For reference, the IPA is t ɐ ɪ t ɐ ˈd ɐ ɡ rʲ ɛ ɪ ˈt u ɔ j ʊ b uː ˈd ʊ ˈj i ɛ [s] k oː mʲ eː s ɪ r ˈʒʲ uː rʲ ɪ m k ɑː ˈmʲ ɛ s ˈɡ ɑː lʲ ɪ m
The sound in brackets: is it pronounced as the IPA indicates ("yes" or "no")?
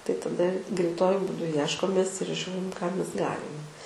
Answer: no